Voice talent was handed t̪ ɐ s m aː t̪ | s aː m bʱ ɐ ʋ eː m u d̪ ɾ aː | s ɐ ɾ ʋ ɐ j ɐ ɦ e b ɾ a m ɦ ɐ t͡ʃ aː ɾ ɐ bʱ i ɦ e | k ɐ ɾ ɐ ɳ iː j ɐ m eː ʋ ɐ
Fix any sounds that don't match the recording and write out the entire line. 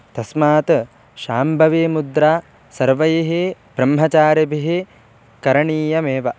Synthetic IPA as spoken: t̪ ɐ s m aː t̪ | ʃ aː m bʱ ɐ ʋ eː m u d̪ ɾ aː | s ɐ ɾ ʋ ɐ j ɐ ɦ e b ɾ ɐ m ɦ ɐ t͡ʃ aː ɾ ɐ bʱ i ɦ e | k ɐ ɾ ɐ ɳ iː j ɐ m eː ʋ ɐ